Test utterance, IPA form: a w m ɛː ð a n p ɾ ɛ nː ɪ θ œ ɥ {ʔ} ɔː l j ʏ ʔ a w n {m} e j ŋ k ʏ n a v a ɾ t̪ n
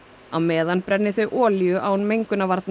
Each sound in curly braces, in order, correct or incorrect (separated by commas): correct, correct